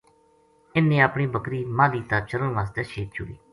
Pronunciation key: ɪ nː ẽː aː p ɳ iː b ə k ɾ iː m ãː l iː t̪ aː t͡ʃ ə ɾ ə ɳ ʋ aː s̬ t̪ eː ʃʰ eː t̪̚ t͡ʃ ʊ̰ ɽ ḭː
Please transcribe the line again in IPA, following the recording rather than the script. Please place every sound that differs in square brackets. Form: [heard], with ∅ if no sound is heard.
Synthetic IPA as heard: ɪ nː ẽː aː p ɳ iː b ə k ɾ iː m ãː l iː t̪ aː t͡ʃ ə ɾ ə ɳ ʋ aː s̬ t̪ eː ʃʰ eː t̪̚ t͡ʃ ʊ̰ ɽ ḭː